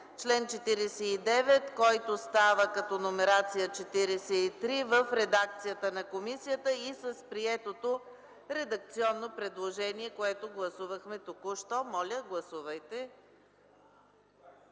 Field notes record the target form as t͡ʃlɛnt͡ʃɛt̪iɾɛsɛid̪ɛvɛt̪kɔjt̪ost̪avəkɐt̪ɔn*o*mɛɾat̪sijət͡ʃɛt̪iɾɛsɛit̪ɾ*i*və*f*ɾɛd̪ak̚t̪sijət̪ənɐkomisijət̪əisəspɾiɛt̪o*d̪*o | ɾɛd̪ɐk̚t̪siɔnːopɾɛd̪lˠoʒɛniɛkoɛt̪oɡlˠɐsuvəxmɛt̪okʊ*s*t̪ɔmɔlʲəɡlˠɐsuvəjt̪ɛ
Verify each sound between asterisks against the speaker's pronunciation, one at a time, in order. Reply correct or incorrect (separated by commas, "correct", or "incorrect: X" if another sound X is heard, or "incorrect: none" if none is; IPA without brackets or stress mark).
correct, correct, correct, incorrect: t̪, incorrect: ʃ